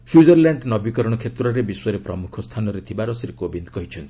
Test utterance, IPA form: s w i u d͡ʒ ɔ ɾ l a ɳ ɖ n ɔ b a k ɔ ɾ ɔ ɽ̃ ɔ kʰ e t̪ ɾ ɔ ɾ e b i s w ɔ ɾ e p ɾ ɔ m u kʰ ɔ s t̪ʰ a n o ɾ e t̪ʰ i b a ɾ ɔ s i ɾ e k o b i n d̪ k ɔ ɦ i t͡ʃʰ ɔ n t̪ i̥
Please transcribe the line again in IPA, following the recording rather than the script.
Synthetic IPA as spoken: s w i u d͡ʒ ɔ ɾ l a ɳ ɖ n ɔ b i k ɔ ɾ ɔ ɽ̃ ɔ kʰ e t̪ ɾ ɔ ɾ e b i s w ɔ ɾ e p ɾ ɔ m u kʰ ɔ s t̪ʰ a n ɔ ɾ e t̪ʰ i b a ɾ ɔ s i ɾ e k o b i n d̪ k ɔ ɦ i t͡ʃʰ ɔ n t̪ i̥